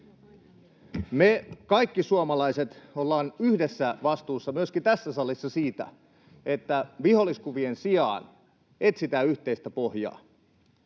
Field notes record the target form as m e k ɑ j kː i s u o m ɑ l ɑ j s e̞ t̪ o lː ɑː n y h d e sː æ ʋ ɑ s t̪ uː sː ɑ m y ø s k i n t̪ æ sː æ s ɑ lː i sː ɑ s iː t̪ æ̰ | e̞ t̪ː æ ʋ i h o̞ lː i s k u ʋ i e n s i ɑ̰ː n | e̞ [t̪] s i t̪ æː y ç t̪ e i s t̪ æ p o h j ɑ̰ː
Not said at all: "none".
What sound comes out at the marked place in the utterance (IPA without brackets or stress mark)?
t̪